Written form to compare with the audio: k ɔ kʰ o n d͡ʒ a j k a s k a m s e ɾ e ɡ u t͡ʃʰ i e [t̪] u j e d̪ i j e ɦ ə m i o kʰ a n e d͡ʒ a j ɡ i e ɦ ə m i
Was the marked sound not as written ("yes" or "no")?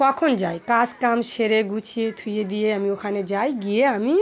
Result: yes